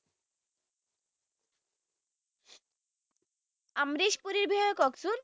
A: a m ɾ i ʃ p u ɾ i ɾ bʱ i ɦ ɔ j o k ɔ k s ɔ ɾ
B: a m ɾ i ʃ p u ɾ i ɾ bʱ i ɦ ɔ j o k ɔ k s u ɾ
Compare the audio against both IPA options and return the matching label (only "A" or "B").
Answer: B